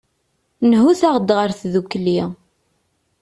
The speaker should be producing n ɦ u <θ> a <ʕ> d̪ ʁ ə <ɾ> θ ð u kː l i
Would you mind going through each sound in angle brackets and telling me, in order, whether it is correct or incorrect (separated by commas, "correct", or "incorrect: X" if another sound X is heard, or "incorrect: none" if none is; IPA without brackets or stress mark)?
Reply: correct, incorrect: ʁ, correct